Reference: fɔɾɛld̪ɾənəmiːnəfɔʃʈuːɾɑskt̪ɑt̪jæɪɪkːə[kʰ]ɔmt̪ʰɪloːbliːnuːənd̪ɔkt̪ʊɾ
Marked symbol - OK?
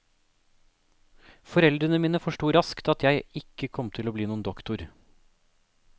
yes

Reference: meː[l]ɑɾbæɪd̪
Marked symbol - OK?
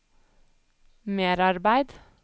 no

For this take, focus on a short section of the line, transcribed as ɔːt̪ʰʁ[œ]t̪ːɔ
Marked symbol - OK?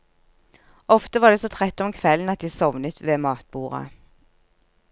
no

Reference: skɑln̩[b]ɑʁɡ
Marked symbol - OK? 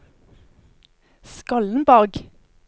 yes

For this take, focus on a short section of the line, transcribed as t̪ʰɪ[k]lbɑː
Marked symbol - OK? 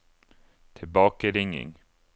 no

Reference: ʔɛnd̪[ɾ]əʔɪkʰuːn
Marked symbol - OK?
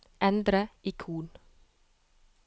yes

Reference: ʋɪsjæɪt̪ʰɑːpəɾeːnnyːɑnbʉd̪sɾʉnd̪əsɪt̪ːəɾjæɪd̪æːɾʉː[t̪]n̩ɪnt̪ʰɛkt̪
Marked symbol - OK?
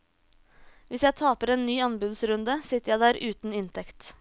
yes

